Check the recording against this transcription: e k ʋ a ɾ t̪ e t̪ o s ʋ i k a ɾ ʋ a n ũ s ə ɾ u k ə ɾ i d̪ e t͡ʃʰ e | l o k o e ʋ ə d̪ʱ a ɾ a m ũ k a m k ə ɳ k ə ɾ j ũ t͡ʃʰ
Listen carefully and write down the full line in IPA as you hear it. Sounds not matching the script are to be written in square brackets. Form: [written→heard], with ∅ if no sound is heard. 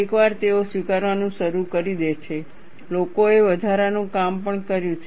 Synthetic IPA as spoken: e k ʋ a ɾ t̪ e [t̪→∅] o s ʋ i k a ɾ ʋ a n ũ [s→ʃ] ə ɾ u k ə ɾ i d̪ e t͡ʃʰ e | l o k o e ʋ ə d̪ʱ a ɾ a [m→n] ũ k a m [k→p] ə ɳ k ə ɾ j ũ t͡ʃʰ